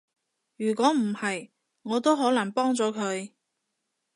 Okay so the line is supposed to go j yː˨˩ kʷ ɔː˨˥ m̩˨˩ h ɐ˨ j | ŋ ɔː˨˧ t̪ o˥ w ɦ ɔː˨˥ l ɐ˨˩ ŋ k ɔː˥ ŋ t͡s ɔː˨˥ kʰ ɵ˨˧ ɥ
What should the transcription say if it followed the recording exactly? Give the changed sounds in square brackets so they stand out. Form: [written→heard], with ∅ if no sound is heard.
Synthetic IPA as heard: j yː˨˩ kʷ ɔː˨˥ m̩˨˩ h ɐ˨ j | ŋ ɔː˨˧ t̪ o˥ w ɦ ɔː˨˥ l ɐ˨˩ ŋ [k→p] ɔː˥ ŋ t͡s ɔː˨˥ kʰ ɵ˨˧ ɥ